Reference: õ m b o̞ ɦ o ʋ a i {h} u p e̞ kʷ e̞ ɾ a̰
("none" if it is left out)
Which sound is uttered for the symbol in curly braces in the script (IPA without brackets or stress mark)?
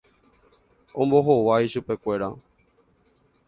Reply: ʃ